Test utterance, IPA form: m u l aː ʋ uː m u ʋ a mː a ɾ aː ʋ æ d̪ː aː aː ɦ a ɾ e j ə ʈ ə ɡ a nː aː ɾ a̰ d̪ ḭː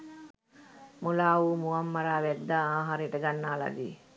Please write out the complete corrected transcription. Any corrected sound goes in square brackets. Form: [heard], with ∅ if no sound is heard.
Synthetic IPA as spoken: m u l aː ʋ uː m u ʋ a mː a ɾ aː ʋ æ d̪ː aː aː ɦ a ɾ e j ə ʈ ə ɡ a nː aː [l] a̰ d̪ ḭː